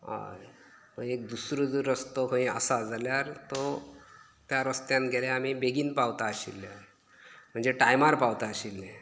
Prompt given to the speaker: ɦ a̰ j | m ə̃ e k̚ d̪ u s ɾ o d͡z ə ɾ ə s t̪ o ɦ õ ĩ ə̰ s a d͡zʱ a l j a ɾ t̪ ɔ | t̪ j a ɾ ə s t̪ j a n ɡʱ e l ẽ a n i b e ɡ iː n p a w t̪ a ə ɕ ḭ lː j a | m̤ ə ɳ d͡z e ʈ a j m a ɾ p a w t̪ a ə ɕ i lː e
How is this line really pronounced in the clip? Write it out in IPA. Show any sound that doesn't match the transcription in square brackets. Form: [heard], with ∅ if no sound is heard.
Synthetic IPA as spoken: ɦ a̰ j | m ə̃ e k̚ d̪ u s ɾ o d͡z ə ɾ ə s t̪ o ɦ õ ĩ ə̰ s a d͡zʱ a l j a ɾ t̪ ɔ | t̪ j a ɾ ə s t̪ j a n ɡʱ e l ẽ a [m] i b e ɡ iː n p a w t̪ a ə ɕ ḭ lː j a | m̤ ə ɳ d͡z e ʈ a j m a ɾ p a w t̪ a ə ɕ i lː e

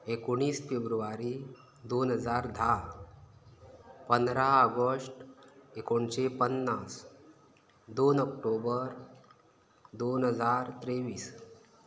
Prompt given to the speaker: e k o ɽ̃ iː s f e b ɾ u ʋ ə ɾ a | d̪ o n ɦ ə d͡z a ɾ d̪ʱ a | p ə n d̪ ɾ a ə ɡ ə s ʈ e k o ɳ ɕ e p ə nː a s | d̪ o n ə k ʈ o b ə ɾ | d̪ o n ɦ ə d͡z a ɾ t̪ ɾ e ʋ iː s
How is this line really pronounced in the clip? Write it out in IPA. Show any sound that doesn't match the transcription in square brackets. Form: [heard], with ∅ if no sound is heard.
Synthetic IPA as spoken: e k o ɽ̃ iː s f e b ɾ u ʋ [a] ɾ [i] | d̪ o n ɦ ə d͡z a ɾ d̪ʱ a | p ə n d̪ ɾ a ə ɡ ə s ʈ e k o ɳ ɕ e p ə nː a s | d̪ o n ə k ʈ o b ə ɾ | d̪ o n ɦ ə d͡z a ɾ t̪ ɾ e ʋ iː s

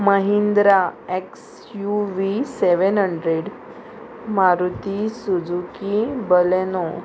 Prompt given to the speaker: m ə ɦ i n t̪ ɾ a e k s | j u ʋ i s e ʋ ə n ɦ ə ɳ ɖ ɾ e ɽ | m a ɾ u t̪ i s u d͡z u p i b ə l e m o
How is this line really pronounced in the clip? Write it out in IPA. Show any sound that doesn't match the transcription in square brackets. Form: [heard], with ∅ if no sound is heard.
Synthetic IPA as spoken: m ə ɦ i n [d̪] ɾ a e k s | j u ʋ i s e ʋ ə n ɦ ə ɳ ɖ ɾ e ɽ | m a ɾ u t̪ i s u d͡z u [k] i b ə l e [n] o

